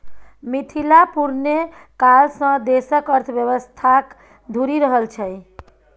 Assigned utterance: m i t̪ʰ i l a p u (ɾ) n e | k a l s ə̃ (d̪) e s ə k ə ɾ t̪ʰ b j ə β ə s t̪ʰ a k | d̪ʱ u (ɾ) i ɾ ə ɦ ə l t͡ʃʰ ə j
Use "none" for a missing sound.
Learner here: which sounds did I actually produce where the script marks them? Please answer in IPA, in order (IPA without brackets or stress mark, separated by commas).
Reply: ɾ, d̪, ɾ